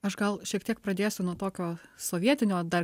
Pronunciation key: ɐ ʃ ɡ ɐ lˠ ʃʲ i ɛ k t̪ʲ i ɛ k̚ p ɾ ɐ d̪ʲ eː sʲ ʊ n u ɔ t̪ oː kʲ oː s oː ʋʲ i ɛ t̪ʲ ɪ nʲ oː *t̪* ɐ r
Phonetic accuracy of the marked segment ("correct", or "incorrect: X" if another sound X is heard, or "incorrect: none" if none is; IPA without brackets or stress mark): incorrect: d̪